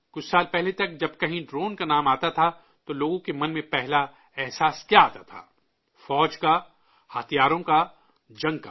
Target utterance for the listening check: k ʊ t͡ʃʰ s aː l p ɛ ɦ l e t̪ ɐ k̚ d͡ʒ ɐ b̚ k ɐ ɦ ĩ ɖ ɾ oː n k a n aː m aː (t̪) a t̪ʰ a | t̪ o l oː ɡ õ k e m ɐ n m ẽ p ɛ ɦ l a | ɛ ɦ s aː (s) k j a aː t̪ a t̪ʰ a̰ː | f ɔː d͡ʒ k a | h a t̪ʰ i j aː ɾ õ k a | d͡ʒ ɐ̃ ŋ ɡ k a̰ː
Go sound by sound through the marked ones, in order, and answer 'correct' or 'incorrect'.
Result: correct, correct

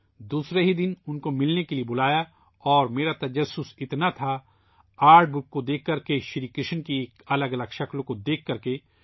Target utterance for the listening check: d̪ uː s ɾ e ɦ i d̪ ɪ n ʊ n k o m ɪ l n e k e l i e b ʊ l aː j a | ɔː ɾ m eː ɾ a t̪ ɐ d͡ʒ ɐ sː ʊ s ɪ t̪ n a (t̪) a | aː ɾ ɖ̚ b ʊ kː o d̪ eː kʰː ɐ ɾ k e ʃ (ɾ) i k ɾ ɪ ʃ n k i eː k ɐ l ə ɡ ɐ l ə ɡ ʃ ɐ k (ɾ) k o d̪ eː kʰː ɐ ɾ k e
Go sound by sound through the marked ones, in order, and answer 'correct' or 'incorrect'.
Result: incorrect: t̪ʰ, correct, incorrect: l

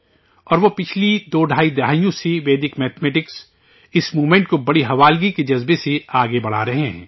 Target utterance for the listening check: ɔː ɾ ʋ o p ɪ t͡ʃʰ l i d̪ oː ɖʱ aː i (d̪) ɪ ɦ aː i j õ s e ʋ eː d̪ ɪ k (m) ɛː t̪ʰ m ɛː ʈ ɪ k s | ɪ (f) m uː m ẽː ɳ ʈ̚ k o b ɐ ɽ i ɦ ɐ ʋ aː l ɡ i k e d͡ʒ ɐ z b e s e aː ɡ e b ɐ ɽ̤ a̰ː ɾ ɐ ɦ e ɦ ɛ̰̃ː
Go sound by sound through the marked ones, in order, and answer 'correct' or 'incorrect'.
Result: correct, correct, incorrect: s

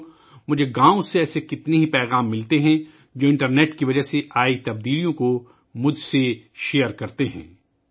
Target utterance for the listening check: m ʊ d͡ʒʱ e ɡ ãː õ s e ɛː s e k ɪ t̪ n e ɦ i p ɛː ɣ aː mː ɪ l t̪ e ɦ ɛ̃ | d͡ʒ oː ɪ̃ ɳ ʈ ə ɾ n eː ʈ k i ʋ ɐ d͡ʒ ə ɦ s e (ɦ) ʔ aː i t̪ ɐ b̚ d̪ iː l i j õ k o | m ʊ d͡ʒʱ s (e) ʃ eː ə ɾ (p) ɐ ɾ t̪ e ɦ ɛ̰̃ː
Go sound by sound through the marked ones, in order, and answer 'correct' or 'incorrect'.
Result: incorrect: none, correct, incorrect: k

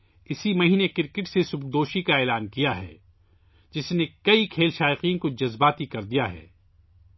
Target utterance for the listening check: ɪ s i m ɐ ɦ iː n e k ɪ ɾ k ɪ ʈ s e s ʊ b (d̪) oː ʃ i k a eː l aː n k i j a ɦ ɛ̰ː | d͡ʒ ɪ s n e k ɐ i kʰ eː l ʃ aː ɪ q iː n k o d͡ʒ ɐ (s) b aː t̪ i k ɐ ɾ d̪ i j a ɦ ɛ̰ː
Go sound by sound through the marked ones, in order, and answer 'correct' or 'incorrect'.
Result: correct, incorrect: z

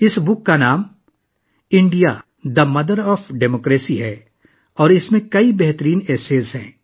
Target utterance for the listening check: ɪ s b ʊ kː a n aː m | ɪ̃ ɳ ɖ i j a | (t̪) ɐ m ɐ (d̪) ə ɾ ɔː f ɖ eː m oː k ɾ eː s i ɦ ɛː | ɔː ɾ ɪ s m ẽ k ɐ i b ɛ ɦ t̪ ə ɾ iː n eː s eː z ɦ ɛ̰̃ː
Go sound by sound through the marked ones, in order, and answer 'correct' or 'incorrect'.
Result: incorrect: d̪, correct

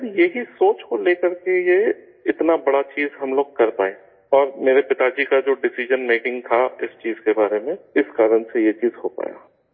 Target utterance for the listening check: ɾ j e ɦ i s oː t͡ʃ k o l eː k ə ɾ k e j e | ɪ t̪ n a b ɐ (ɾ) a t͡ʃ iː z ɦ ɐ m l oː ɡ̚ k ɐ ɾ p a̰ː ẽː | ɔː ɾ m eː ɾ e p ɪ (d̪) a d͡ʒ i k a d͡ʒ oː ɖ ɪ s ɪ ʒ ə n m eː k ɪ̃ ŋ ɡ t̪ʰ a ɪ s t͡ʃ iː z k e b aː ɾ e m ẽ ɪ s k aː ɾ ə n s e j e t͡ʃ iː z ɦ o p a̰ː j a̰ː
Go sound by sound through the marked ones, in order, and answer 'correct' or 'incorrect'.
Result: incorrect: ɽ, incorrect: t̪

